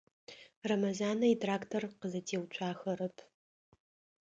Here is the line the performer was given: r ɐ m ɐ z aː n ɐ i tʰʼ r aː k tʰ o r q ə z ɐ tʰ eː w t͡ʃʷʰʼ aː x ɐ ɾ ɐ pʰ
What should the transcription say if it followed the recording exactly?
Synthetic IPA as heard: r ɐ m ɐ z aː n ɐ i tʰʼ r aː k tʰ o r q ə z ɐ tʰ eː w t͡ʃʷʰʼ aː x ɐ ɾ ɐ pʰ